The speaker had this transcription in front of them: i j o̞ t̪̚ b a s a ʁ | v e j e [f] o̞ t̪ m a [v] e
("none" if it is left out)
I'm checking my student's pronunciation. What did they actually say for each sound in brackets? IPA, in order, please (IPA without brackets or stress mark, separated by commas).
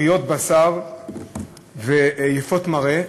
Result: f, ʁ